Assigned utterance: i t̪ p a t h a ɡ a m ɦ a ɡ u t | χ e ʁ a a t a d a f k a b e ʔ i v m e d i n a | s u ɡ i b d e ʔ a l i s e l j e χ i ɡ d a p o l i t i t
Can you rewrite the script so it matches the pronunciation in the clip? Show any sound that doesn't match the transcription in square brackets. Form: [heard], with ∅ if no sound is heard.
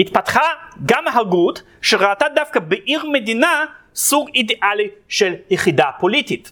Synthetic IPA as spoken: i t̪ p a t [χ] a ɡ a m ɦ a ɡ u t | [ʃ] e ʁ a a t a d a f k a b e ʔ i [ʁ] m e d i n a | s u ɡ i [∅] d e ʔ a l i [ʃ] e l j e χ i [∅] d a p o l i t i t